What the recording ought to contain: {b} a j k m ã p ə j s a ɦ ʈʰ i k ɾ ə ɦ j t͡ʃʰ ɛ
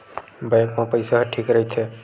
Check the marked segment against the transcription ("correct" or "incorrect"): correct